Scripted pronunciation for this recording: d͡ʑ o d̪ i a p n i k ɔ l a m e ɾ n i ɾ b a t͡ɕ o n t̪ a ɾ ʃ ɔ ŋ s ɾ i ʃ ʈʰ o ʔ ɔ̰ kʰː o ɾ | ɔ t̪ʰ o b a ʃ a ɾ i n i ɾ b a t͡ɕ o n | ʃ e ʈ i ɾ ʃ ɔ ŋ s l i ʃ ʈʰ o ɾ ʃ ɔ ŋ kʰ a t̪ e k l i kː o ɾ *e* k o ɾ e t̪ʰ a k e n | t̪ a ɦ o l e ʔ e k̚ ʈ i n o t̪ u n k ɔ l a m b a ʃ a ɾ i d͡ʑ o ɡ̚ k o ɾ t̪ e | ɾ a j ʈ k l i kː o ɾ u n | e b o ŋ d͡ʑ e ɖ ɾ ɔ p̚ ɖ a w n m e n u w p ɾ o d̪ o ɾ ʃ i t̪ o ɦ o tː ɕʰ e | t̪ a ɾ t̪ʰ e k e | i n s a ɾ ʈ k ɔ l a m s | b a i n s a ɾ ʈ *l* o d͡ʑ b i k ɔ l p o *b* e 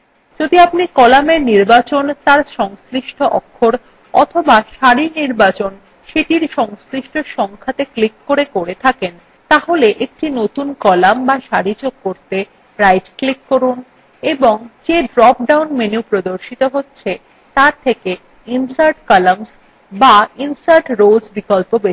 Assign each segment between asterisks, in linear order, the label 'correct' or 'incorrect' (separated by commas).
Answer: correct, incorrect, correct